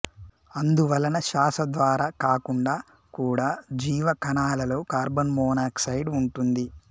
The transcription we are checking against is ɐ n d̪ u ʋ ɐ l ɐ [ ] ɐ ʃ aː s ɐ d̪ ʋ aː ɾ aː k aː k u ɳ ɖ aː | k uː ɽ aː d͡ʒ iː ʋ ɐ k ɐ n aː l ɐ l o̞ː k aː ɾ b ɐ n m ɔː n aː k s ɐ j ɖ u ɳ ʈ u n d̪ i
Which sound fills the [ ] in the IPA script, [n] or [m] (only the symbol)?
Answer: n